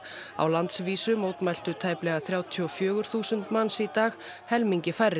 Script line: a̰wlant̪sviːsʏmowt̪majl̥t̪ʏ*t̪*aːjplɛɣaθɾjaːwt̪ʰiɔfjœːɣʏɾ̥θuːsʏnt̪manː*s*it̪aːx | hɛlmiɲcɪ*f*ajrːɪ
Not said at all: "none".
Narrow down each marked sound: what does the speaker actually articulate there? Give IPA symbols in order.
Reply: t̪ʰ, s, f

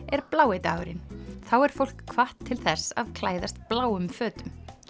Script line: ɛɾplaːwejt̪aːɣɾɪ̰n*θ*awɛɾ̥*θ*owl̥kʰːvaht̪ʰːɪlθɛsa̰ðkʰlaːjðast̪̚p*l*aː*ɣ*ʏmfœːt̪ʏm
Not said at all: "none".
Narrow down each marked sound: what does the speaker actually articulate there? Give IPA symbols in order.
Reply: θ, f, l, w

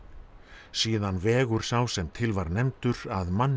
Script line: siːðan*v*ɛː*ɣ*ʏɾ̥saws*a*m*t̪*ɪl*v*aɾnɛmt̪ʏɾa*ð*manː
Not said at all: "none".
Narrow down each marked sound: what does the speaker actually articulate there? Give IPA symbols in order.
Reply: v, ɣ, ɛ, t̪ʰ, v, ð

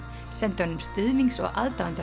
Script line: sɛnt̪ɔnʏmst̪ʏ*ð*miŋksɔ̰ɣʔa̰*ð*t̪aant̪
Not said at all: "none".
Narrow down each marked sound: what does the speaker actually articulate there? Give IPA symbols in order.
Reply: ð, ð

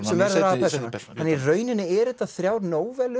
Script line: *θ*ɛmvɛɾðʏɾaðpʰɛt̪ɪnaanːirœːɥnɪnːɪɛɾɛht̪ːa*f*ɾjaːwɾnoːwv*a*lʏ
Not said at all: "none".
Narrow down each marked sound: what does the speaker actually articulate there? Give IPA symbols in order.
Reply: s, θ, ɛ

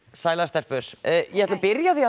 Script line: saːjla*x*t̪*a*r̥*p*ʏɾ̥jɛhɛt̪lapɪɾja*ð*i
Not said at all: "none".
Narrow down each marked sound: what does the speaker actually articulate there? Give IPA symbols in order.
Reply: s, ɛ, p, θ

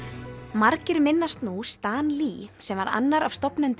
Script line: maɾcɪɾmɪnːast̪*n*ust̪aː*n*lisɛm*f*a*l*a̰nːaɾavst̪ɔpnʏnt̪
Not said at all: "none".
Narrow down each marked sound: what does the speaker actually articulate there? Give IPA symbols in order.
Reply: n, n, v, ɾ

